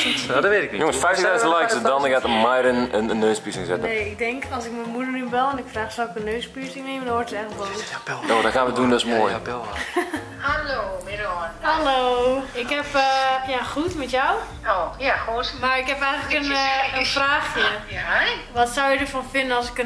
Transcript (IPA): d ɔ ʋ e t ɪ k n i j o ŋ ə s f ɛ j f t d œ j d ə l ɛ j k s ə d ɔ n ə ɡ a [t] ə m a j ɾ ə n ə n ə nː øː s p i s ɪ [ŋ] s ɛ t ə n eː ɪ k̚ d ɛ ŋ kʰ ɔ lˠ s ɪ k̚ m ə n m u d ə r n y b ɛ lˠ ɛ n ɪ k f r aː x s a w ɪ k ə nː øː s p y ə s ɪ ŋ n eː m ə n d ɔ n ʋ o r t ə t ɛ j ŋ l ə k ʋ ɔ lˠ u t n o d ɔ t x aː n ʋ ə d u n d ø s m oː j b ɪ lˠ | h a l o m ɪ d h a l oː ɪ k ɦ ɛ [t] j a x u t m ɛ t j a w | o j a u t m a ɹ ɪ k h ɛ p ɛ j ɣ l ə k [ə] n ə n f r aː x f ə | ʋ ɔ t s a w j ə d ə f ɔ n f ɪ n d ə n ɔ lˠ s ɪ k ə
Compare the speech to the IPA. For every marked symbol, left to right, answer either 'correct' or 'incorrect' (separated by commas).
correct, correct, incorrect, correct